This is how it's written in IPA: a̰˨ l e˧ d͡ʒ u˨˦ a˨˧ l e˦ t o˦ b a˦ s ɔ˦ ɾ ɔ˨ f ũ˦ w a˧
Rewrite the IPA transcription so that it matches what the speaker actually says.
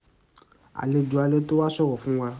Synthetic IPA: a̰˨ l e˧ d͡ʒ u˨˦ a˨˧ l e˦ t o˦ w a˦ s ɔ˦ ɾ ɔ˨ f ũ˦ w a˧